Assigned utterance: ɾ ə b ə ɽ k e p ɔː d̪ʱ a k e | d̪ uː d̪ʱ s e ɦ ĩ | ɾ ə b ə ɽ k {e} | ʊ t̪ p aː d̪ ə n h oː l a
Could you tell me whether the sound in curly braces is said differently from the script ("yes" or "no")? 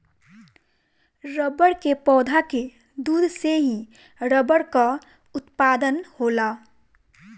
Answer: yes